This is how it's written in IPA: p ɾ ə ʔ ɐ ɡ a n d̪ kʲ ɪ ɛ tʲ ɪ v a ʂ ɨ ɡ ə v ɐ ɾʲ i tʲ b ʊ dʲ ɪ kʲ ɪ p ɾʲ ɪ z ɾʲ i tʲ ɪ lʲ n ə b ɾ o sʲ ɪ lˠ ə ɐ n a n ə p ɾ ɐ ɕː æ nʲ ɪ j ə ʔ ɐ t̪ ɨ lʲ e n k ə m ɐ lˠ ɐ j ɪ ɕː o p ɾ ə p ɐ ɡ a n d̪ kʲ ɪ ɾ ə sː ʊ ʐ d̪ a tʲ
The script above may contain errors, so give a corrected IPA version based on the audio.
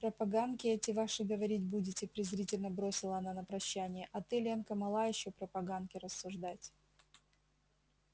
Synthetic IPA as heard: p ɾ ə p ɐ ɡ a n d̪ kʲ ɪ ɛ tʲ ɪ v a ʂ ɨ ɡ ə v ɐ ɾʲ i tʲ b u dʲ ɪ tʲ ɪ p ɾʲ ɪ z ɾʲ i tʲ ɪ lʲ n ə b ɾ o sʲ ɪ lˠ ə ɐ n a n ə p ɾ ɐ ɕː æ nʲ ɪ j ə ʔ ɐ t̪ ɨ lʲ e n k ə m ɐ lˠ a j ɪ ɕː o p ɾ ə p ɐ ɡ a n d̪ kʲ ɪ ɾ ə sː ʊ ʐ d̪ a tʲ